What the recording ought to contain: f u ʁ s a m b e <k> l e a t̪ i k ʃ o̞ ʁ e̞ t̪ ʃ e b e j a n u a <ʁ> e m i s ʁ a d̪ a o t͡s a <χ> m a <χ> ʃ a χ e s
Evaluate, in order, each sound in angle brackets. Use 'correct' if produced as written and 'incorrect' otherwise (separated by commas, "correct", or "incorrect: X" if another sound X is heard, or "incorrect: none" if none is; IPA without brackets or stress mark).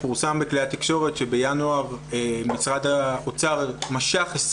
correct, correct, incorrect: ʁ, incorrect: none